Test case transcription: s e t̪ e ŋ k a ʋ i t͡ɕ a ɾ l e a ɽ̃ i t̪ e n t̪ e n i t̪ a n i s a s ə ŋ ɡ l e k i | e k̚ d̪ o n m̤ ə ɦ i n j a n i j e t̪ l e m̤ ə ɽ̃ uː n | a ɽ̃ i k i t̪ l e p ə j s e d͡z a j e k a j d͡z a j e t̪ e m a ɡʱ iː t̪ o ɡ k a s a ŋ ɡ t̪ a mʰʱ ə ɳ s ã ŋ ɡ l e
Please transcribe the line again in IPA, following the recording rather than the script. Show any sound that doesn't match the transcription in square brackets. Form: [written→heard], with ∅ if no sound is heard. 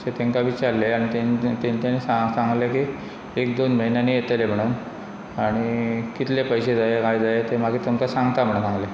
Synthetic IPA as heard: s e t̪ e ŋ k a ʋ i t͡ɕ a ɾ l e a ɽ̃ i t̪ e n t̪ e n i t̪ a n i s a s [ə→a] ŋ ɡ l e k i | e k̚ d̪ o n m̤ ə ɦ i n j a n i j e t̪ l e m̤ ə ɽ̃ uː n | a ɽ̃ i k i t̪ l e p ə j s e d͡z a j e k a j d͡z a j e t̪ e m a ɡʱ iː t̪ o [ɡ→ŋ] k a s a ŋ ɡ t̪ a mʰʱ ə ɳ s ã ŋ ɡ l e